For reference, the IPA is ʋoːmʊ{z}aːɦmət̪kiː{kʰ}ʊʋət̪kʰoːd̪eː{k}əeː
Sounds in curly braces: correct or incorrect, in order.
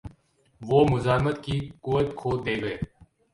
correct, incorrect: k, incorrect: ɡ

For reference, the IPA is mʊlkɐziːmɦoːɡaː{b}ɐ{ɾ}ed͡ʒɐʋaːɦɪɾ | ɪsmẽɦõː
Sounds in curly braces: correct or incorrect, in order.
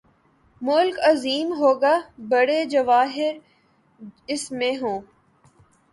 correct, incorrect: ɽ

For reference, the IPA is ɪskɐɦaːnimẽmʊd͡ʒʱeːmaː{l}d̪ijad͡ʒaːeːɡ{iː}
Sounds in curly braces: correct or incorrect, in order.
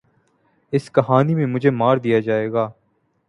incorrect: ɾ, incorrect: aː

